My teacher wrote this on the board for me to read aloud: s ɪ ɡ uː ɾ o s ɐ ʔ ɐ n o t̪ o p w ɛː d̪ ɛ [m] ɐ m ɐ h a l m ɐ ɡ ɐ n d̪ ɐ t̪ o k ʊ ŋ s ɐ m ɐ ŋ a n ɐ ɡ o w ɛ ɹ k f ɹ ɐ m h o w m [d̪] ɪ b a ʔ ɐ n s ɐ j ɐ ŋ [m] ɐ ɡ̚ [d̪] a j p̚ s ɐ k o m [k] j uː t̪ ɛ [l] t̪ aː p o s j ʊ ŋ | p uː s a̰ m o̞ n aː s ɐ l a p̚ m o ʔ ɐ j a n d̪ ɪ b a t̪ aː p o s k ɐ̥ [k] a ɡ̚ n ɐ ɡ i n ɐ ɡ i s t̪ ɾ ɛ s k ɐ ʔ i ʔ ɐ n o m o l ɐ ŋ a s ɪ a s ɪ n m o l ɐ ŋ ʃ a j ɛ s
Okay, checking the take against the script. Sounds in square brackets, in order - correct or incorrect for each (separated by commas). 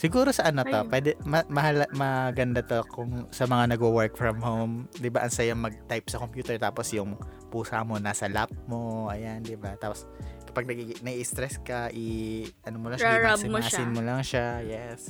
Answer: correct, correct, correct, incorrect, incorrect, incorrect, incorrect